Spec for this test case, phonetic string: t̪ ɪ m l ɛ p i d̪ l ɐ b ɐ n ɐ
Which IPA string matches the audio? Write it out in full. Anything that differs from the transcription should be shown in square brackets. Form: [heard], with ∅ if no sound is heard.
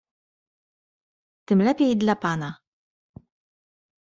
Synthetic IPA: t̪ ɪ m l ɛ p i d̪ l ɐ [p] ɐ n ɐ